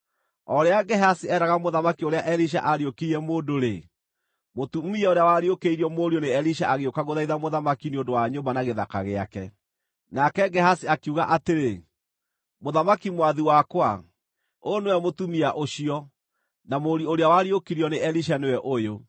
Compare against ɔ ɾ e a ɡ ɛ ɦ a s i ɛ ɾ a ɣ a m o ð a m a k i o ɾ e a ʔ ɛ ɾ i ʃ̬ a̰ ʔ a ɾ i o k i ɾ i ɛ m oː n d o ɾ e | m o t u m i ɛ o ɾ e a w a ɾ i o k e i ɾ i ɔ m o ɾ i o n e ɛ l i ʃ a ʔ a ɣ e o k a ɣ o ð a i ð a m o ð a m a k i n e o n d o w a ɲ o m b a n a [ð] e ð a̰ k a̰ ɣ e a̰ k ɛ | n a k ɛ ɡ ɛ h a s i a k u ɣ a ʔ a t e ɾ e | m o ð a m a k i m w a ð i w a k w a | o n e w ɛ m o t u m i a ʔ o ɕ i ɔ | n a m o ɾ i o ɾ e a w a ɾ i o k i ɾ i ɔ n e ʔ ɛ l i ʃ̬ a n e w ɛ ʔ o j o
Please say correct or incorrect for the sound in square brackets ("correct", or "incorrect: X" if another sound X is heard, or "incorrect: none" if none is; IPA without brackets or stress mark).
incorrect: ɣ